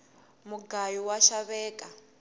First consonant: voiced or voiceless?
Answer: voiced